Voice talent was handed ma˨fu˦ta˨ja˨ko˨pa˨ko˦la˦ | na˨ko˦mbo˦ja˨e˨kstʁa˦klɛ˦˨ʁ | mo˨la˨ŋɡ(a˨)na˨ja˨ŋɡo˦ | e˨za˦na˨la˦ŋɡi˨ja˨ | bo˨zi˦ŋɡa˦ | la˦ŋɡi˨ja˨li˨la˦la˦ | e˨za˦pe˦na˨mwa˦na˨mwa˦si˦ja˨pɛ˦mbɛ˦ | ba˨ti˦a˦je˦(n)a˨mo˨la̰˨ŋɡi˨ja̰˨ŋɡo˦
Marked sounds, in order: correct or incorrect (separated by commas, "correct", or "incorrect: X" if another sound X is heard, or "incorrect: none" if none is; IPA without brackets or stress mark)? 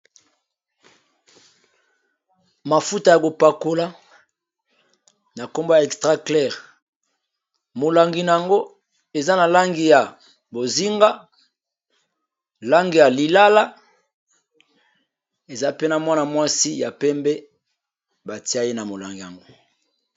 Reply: incorrect: i˨, correct